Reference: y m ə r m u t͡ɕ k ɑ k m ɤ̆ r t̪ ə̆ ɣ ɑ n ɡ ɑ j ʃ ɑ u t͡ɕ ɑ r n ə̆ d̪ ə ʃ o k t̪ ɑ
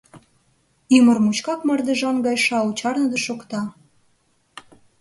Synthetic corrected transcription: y m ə r m u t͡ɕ k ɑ k m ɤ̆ r d̪ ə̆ ʒ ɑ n ɡ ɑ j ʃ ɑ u t͡ɕ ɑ r n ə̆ d̪ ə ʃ o k t̪ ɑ